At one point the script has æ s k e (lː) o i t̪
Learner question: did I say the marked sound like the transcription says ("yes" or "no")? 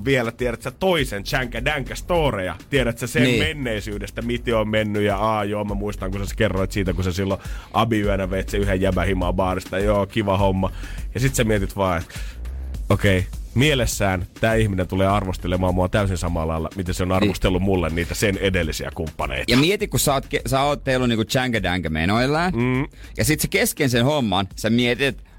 no